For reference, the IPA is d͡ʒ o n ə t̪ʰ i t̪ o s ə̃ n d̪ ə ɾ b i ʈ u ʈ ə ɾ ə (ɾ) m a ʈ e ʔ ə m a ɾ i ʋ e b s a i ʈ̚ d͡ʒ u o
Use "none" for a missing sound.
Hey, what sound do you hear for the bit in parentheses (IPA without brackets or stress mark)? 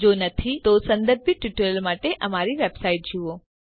l